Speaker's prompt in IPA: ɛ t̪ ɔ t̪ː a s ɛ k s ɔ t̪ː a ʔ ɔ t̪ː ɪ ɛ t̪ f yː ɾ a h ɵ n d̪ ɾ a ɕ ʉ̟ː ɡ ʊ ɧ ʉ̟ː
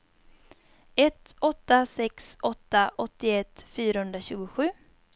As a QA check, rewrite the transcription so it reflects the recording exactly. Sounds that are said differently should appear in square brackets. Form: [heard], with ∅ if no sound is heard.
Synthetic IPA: ɛ t̪ ɔ t̪ː a s ɛ k s ɔ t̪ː a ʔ ɔ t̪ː ɪ ɛ t̪ f yː ɾ a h ɵ n d̪ ɾ a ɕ ʉ̟ː ɡ ʊ ɧ ʉ̟ː